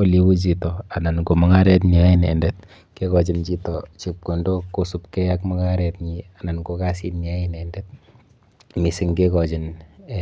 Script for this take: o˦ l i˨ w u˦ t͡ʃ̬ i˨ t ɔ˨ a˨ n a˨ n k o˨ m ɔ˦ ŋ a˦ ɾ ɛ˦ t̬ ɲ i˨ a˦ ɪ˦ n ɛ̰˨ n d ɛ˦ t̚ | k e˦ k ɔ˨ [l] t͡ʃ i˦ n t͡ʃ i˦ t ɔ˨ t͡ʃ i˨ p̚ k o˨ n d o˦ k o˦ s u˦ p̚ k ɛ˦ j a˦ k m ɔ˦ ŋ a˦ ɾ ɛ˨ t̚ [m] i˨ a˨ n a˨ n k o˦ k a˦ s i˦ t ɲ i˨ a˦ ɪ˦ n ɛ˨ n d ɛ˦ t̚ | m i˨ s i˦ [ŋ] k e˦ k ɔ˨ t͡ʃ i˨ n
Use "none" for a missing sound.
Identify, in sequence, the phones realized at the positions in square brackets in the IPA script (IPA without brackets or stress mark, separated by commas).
none, ɲ, ŋ